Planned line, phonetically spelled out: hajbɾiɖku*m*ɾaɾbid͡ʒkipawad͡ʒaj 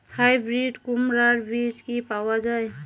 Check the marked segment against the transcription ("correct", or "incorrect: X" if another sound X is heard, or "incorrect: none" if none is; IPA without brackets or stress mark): correct